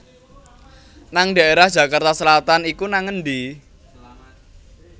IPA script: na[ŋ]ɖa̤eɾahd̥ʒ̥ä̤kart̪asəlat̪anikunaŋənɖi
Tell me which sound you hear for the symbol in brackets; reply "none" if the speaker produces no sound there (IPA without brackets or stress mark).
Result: ŋ